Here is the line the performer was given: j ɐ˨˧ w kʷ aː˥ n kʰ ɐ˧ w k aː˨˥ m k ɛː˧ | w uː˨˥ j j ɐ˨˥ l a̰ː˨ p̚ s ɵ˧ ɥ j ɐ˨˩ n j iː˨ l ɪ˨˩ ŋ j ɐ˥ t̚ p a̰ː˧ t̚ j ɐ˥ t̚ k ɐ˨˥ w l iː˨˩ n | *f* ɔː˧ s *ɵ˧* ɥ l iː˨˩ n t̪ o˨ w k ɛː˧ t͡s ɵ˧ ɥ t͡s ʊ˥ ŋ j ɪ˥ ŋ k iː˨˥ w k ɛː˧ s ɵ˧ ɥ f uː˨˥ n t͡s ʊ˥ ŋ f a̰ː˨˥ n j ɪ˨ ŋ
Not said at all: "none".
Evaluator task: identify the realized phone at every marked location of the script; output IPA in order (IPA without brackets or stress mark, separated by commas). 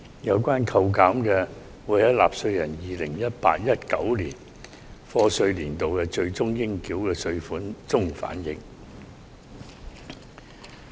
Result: f, ɵ˧